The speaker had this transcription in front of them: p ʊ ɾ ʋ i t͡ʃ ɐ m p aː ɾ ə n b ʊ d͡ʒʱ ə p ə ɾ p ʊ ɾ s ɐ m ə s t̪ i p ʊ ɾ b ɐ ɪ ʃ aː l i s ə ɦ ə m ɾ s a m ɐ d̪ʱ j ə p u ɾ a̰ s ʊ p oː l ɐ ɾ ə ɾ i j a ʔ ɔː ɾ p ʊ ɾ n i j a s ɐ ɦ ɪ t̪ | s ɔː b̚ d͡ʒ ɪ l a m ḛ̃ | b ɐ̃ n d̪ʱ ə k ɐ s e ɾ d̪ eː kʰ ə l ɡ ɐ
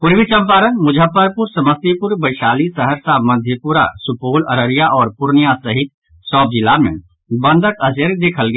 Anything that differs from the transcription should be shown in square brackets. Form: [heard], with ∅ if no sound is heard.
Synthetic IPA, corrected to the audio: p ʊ ɾ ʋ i t͡ʃ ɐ m p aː ɾ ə n [m] ʊ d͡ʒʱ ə p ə ɾ p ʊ ɾ s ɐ m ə s t̪ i p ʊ ɾ b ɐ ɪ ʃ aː l i s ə ɦ ə [∅] ɾ s a m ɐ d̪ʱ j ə p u ɾ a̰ s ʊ p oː l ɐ ɾ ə ɾ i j a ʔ ɔː ɾ p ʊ ɾ n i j a s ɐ ɦ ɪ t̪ | s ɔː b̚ d͡ʒ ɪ l a m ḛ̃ | b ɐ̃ n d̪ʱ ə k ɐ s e ɾ d̪ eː kʰ ə l ɡ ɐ